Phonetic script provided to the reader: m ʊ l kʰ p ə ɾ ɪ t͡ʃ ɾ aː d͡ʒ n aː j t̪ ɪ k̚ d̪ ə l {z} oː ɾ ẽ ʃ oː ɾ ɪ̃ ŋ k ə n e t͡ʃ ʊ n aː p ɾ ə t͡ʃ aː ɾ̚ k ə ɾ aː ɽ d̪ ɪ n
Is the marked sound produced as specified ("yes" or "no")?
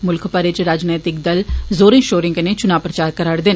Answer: yes